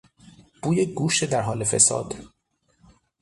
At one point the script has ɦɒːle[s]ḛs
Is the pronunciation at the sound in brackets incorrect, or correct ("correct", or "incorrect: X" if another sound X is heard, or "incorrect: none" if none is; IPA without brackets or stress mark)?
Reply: incorrect: f